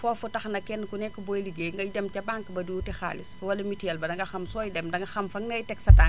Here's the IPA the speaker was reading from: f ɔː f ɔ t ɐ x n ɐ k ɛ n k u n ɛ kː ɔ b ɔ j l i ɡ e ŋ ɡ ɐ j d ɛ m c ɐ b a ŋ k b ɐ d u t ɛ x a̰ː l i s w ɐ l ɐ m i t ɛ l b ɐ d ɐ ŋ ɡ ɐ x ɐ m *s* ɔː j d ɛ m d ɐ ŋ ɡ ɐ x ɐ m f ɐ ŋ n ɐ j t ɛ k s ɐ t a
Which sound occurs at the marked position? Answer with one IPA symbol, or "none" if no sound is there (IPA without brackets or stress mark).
s